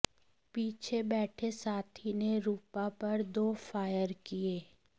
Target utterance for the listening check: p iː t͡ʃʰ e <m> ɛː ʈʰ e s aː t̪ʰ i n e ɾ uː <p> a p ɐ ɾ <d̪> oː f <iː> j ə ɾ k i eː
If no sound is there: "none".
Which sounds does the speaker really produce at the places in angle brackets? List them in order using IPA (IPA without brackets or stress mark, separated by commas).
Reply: b, p, d̪, aː